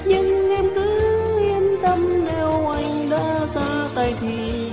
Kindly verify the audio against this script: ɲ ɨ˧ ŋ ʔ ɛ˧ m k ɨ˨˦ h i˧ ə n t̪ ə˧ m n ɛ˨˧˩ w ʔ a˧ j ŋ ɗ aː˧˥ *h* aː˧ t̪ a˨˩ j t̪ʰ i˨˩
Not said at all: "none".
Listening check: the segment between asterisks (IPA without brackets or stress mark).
s